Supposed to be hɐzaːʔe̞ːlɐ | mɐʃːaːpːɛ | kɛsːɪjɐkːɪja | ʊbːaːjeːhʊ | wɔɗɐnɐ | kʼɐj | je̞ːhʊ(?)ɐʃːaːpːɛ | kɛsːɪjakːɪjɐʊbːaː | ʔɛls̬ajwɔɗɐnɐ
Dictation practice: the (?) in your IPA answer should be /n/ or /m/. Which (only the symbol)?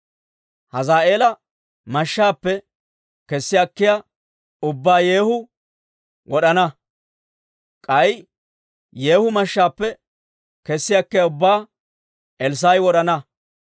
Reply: m